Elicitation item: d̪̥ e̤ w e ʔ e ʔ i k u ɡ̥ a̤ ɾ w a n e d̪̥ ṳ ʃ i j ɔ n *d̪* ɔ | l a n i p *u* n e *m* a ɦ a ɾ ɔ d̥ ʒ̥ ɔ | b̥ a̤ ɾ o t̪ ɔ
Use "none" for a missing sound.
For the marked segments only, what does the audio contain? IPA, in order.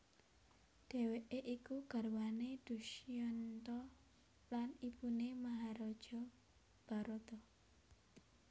t̪, u, m

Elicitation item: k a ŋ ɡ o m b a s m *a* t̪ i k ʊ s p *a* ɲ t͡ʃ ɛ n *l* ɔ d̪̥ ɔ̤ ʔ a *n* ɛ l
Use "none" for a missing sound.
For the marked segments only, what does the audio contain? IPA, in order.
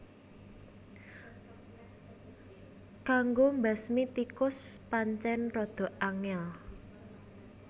i, a, r, ŋ

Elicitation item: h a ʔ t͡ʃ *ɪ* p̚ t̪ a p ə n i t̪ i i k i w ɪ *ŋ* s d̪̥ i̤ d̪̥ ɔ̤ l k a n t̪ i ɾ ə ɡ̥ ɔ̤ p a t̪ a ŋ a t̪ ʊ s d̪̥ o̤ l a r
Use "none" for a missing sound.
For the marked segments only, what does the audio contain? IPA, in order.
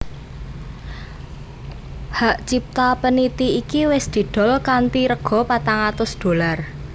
i, none

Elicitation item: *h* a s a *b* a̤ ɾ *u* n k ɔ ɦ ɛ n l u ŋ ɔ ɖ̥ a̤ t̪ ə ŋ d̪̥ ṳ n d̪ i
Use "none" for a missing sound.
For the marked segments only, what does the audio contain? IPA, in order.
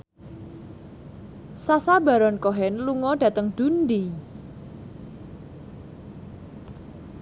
s, b, ɔ

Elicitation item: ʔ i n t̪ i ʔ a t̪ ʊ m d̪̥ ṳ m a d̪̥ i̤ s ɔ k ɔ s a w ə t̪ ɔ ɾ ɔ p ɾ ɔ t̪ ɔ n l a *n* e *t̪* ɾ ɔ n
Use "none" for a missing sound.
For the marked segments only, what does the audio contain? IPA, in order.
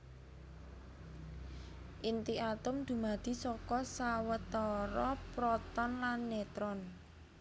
nː, t̪

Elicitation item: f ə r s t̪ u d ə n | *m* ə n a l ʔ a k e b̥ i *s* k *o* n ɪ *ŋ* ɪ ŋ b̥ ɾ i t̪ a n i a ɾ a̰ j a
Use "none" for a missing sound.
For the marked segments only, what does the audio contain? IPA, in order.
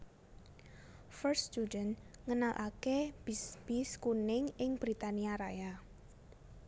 ŋ, s, u, ŋ

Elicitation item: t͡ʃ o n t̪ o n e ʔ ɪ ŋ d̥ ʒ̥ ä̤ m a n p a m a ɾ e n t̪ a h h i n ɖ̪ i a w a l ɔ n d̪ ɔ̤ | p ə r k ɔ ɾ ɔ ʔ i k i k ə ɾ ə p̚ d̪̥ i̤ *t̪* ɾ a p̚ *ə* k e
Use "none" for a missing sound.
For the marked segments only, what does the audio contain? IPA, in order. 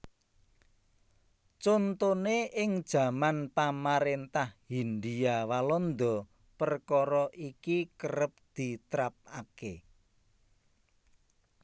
t̪, a

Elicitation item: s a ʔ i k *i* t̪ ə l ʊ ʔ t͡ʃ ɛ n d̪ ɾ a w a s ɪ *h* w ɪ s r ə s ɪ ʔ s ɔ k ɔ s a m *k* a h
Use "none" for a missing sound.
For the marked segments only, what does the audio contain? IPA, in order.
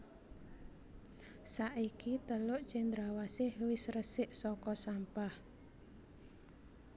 i, h, p

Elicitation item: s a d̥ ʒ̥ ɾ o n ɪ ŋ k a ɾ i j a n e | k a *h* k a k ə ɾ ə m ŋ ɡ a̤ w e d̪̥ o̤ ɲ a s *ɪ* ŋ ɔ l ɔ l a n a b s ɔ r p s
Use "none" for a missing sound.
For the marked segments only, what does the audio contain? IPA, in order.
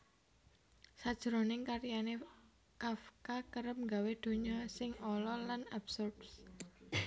f, ɪ

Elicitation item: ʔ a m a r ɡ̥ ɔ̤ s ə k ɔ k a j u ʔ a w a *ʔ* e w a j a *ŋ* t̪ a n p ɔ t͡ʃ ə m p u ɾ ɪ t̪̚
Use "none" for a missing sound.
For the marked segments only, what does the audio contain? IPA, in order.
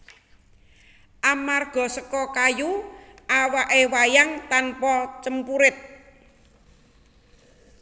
ʔ, ŋ

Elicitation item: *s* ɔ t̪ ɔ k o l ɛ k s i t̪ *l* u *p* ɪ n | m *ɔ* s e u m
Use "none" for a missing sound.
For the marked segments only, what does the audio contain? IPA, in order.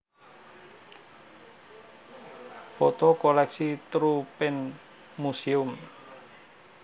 f, ɾ, p, u

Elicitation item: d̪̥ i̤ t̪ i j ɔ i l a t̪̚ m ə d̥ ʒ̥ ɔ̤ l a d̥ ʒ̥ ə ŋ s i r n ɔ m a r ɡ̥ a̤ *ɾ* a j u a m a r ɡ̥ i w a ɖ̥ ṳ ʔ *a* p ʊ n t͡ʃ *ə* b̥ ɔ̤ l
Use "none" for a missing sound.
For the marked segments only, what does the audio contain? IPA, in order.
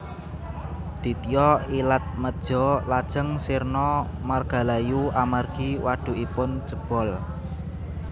l, i, ə

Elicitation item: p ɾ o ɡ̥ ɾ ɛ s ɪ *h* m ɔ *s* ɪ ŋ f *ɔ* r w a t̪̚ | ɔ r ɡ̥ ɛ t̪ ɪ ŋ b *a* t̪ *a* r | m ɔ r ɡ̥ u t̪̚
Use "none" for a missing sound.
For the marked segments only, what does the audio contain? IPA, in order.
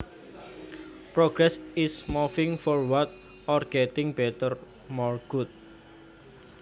s, f, ɔ, ɛ, ə

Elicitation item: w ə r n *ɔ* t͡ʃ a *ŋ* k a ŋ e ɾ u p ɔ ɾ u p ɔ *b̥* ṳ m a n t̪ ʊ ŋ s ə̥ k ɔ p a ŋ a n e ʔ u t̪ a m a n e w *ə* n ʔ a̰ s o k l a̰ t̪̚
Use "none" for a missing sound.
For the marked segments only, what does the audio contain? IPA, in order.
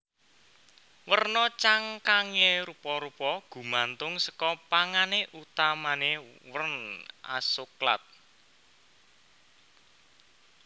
ɔ, ŋ, ɡ̥, ə

